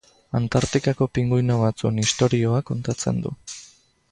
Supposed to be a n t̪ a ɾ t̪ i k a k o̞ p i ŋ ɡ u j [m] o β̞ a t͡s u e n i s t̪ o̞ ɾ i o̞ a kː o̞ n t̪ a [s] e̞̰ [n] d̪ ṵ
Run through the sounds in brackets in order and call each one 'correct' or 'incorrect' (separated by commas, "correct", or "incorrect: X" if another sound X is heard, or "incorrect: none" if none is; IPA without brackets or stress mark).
incorrect: n, incorrect: t͡s, correct